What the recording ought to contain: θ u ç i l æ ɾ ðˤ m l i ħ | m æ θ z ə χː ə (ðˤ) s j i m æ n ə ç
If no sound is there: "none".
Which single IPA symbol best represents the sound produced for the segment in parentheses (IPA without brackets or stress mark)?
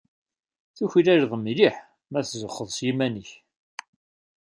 ðˤ